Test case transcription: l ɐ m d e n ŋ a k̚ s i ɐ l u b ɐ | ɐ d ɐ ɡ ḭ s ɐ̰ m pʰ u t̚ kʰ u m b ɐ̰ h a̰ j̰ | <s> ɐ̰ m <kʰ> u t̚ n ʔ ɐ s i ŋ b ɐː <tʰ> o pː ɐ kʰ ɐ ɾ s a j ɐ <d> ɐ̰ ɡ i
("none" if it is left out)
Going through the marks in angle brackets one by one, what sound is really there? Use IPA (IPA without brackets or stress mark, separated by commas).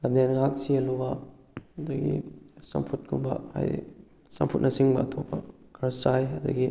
s, pʰ, tʰ, d